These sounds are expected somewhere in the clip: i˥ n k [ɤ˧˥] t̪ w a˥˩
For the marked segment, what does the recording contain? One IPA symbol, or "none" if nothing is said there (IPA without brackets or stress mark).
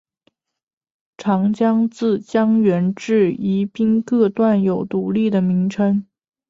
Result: ɤ˥˧